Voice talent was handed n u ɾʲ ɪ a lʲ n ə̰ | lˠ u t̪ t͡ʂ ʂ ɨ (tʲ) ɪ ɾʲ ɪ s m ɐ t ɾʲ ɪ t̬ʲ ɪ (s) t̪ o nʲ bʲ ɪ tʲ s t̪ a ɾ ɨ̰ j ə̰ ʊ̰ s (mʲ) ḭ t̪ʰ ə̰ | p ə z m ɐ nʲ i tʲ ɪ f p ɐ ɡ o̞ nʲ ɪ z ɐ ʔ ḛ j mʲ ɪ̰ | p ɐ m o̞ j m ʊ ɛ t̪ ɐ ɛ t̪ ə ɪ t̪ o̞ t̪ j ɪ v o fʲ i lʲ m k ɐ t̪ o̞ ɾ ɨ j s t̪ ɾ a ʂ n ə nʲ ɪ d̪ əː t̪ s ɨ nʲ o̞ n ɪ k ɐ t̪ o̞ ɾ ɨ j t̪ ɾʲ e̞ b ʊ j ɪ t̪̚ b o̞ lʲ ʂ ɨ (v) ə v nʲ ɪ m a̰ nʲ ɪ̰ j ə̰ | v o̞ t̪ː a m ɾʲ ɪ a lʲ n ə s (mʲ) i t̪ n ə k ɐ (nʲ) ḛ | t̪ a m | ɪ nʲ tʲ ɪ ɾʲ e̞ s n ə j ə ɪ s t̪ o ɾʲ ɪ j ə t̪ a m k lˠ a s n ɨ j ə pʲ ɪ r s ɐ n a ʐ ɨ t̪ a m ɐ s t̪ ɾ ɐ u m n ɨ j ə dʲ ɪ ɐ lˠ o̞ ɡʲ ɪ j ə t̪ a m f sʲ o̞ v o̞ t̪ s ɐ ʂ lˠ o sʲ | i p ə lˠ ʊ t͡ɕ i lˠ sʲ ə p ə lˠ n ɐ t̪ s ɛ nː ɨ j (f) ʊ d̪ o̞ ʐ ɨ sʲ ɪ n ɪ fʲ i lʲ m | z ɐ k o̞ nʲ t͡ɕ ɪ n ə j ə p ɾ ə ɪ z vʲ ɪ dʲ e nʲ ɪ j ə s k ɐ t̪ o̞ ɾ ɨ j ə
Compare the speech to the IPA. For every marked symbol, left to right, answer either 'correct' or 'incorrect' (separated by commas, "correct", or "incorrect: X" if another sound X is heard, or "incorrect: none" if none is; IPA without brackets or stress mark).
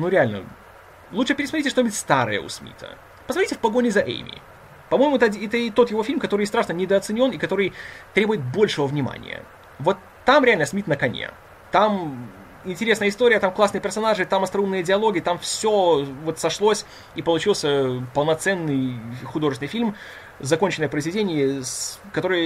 incorrect: pʲ, incorrect: ʂ, correct, correct, correct, correct, incorrect: x